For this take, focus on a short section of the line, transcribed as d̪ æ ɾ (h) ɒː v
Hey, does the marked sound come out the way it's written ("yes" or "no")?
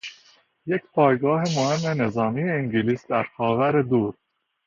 no